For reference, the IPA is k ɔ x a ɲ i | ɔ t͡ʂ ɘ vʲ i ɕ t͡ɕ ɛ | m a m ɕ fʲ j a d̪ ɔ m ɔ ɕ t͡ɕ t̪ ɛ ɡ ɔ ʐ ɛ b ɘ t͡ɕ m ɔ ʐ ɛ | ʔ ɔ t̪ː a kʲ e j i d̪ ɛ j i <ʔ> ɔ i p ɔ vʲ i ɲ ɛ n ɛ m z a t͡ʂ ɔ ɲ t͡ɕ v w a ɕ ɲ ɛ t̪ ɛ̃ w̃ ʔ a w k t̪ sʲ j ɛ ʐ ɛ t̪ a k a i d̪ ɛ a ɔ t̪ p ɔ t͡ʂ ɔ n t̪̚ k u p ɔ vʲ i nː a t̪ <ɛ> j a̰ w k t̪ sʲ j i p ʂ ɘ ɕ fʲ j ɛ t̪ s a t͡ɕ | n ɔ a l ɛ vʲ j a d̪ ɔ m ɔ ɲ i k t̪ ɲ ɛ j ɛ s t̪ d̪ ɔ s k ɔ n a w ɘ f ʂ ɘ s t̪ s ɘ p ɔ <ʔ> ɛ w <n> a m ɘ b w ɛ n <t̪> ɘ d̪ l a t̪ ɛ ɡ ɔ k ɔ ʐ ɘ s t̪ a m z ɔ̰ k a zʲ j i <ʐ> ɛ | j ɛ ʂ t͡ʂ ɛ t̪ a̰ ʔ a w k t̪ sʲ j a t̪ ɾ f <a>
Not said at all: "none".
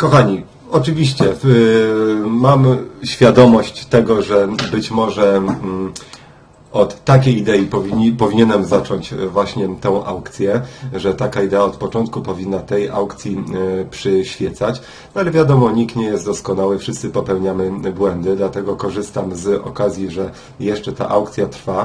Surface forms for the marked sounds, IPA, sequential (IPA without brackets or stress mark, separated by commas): p, ɛ, p, ɲ, d̪, ʐ, a